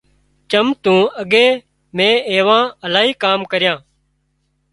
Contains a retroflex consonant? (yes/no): no